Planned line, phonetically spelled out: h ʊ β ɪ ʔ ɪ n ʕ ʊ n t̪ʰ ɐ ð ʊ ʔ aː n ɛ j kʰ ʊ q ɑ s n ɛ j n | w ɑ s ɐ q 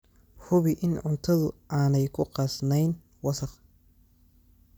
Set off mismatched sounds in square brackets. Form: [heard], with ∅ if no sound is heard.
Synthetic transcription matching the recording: h ʊ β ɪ ʔ ɪ n ʕ ʊ n t̪ʰ ɐ ð ʊ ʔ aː n ɛ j kʰ ʊ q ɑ s n ɛ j n | w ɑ s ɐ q